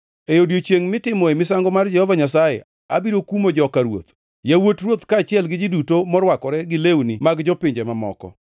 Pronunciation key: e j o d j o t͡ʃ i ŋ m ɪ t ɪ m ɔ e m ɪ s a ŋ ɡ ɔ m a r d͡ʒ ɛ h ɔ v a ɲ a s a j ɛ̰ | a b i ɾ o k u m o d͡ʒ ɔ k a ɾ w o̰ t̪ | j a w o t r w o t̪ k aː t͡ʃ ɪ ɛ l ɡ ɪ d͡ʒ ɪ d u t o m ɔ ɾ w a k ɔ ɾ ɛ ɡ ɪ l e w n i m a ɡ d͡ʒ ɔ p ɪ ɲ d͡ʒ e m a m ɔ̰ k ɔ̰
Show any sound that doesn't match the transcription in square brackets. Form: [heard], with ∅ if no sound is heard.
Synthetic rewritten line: e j o d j o t͡ʃ [e] ŋ m ɪ t ɪ m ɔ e m ɪ s a ŋ ɡ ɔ m a r d͡ʒ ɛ h ɔ v a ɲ a s a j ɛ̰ | a b i ɾ o k u m o d͡ʒ ɔ k a ɾ w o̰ t̪ | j a w o t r w o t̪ k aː t͡ʃ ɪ ɛ l ɡ ɪ d͡ʒ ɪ d u t o m ɔ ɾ w a k ɔ ɾ ɛ ɡ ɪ l e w n i m a ɡ d͡ʒ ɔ p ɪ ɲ d͡ʒ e m a m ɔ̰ k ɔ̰